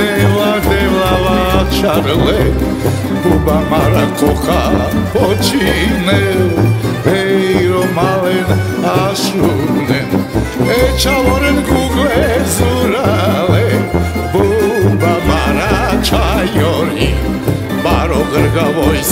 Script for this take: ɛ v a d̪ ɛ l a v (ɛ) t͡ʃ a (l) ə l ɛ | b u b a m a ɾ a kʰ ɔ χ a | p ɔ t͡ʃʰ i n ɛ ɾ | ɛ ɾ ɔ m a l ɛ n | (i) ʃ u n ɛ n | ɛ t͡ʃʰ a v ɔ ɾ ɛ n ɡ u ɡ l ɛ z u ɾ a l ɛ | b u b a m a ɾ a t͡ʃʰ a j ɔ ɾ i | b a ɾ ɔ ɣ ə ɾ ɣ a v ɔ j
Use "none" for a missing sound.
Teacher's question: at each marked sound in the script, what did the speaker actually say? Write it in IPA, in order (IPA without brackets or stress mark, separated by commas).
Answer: a, ɾ, a